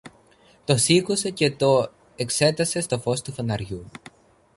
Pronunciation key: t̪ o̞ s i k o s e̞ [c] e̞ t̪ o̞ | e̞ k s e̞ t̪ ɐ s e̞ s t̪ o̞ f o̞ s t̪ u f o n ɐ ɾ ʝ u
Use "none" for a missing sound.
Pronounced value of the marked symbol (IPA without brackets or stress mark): c